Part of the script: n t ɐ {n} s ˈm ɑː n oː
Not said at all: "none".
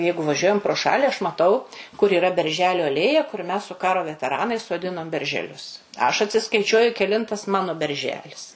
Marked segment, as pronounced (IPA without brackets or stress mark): none